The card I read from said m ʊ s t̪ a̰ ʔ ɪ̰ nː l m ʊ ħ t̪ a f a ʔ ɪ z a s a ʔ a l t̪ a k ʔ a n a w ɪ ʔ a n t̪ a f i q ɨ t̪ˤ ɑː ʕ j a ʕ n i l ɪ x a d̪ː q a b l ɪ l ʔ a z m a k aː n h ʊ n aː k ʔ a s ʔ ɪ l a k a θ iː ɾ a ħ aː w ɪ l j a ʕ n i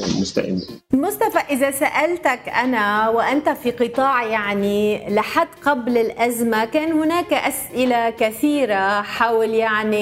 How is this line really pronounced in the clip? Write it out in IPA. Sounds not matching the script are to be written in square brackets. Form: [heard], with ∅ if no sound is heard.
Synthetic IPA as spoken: m ʊ s t̪ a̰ ʔ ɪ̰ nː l m ʊ [s] t̪ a f a ʔ ɪ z a s a ʔ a l t̪ a k ʔ a n a w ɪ ʔ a n t̪ a f i q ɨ t̪ˤ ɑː ʕ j a ʕ n i l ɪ [ħ] a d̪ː q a b l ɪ l ʔ a z m a k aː n h ʊ n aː k ʔ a s ʔ ɪ l a k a θ iː ɾ a ħ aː w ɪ l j a ʕ n i